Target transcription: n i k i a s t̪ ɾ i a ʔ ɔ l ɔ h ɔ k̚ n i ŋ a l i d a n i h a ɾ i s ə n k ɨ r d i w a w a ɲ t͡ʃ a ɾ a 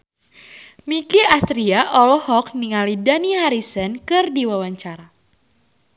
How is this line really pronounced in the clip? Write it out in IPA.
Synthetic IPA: m i k i a s t̪ ɾ i a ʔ ɔ l ɔ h ɔ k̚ n i ŋ a l i d a n i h a ɾ i s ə n k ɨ r d i w a w a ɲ t͡ʃ a ɾ a